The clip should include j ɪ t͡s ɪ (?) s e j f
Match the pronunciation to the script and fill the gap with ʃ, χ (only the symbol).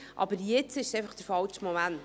ʃ